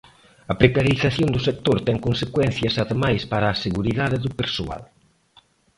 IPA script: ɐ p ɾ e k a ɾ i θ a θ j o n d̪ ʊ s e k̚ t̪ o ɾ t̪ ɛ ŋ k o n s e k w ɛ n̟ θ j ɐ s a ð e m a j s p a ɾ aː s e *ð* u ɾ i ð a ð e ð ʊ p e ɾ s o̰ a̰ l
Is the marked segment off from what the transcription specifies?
yes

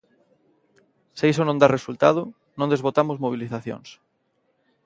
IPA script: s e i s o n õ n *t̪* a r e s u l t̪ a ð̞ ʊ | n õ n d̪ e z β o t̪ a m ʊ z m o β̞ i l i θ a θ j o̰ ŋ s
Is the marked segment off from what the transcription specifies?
yes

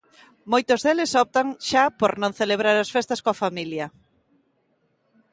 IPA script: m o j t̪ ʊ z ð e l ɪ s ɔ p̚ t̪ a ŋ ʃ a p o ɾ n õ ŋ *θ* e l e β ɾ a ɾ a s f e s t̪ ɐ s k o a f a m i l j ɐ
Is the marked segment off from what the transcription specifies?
no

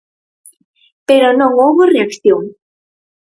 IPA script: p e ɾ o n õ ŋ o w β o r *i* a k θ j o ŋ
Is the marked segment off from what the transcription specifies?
yes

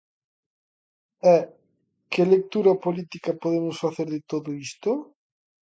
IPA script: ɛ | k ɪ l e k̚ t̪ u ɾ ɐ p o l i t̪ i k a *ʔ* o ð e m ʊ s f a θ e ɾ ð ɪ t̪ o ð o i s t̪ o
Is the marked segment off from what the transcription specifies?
yes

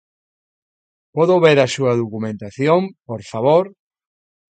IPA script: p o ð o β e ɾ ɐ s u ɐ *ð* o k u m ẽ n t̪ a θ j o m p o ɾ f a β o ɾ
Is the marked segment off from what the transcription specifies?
no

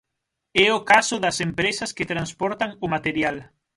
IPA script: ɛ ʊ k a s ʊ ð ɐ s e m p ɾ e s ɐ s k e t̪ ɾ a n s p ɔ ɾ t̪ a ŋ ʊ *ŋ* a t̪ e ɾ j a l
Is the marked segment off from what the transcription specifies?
yes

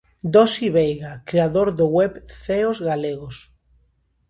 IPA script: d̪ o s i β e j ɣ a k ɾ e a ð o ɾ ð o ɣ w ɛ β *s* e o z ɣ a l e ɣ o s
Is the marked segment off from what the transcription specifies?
yes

